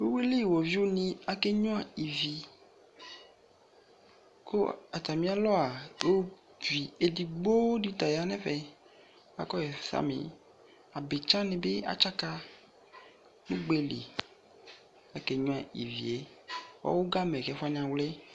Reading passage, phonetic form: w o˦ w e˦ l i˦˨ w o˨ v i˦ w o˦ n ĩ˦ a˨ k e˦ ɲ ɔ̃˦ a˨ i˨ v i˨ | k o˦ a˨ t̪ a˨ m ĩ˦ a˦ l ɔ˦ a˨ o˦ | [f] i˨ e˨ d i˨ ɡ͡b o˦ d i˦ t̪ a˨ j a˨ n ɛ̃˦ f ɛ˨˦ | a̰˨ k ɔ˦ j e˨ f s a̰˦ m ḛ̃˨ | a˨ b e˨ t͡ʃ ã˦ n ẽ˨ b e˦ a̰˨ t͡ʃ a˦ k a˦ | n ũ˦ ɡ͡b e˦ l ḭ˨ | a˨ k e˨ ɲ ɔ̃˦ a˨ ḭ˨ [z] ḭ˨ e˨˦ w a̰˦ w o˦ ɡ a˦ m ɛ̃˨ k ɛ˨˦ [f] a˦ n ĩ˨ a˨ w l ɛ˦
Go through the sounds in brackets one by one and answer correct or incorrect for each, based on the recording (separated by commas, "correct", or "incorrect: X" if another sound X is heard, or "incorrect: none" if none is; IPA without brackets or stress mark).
incorrect: v, incorrect: v, correct